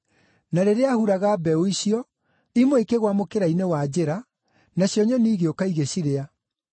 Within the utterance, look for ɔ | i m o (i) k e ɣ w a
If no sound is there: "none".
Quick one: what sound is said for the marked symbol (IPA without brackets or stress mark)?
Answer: e